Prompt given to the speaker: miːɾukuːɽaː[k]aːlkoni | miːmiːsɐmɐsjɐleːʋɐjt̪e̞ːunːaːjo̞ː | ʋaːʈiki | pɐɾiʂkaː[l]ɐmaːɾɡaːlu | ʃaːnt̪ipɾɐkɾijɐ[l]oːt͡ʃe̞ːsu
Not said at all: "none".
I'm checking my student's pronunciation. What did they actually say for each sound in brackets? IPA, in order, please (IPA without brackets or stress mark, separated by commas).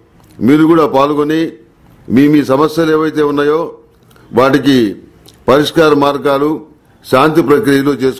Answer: p, ɾ, l